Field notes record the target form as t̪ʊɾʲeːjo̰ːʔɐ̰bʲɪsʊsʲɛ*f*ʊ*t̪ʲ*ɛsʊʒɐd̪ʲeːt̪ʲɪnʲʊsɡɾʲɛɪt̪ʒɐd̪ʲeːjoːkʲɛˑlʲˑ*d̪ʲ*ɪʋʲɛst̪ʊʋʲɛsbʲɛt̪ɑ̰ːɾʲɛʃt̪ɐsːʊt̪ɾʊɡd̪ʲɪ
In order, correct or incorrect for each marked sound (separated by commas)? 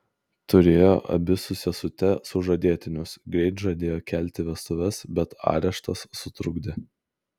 incorrect, correct, incorrect